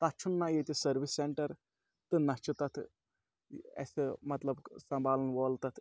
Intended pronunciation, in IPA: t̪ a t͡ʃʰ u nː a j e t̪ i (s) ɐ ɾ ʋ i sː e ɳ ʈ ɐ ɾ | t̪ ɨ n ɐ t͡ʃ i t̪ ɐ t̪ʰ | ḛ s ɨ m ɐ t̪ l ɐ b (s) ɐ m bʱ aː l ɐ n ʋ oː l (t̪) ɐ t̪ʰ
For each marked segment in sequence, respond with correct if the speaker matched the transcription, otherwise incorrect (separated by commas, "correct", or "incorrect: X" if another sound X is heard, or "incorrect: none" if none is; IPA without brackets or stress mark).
correct, correct, correct